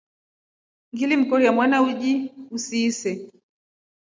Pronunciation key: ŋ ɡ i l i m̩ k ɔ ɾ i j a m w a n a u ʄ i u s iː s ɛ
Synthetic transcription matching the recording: ŋ ɡ i l i m̩ k ɔ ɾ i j a m w a n a u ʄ i u s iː s ɛ